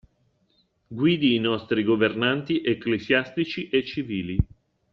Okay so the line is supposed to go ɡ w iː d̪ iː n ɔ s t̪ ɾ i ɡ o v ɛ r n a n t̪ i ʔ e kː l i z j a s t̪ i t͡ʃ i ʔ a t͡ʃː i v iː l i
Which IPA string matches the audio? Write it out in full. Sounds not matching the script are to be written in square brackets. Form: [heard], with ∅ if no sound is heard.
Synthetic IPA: ɡ w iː d̪ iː n ɔ s t̪ ɾ i ɡ o v [e] r n a n t̪ i ʔ e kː l [e] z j a s t̪ i t͡ʃ i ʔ [e] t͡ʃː i v iː l i